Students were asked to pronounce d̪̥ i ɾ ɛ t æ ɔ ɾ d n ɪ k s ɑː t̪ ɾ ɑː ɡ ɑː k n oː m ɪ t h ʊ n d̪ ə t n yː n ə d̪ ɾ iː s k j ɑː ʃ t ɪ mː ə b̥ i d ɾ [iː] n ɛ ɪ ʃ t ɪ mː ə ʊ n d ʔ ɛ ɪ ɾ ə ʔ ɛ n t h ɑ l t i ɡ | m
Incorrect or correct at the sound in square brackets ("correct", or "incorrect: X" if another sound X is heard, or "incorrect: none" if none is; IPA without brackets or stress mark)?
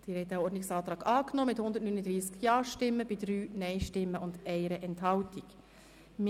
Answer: incorrect: yː